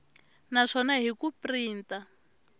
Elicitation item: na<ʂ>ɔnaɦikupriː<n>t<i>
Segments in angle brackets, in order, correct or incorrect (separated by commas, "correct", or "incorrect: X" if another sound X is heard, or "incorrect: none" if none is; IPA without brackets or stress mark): correct, correct, incorrect: a